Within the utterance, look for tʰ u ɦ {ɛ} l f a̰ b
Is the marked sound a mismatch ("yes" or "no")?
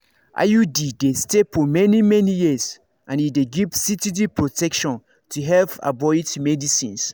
no